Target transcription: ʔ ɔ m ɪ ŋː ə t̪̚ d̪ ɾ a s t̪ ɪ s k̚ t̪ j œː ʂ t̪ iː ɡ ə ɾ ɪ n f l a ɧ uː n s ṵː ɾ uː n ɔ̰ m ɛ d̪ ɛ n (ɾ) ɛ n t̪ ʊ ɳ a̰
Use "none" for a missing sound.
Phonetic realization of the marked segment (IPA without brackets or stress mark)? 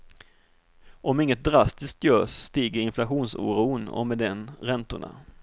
ɾ